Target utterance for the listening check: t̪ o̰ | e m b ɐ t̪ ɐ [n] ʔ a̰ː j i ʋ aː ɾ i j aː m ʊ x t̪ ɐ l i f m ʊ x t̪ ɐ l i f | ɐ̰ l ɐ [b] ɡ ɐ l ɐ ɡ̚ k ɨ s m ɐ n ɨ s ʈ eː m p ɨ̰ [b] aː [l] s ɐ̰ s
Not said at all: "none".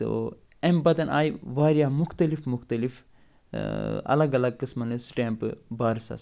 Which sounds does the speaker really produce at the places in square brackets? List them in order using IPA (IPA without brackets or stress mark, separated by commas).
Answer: n, none, b, ɾ